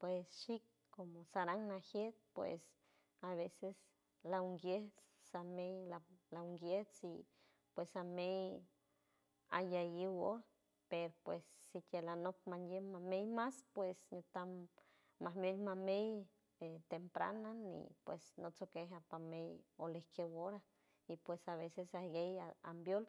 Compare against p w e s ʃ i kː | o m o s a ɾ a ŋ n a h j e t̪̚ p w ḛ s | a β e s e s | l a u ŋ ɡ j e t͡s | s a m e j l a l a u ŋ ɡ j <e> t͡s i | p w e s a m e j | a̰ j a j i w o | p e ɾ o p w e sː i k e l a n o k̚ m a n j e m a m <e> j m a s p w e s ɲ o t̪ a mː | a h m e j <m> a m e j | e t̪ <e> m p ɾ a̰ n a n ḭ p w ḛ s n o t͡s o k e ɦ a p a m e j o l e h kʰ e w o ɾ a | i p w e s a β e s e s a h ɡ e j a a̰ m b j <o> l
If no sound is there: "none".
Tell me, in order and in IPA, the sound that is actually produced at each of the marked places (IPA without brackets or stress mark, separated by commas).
e, e, m, e, o